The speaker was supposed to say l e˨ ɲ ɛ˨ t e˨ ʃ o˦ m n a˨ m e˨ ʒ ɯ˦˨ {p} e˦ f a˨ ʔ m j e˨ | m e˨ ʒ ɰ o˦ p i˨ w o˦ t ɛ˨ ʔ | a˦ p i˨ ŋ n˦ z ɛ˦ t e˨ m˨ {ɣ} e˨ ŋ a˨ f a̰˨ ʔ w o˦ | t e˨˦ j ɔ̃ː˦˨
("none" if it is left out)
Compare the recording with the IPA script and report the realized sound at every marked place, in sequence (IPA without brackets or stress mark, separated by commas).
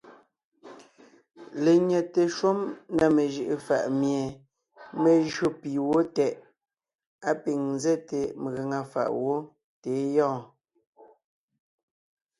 ʔ, ɣ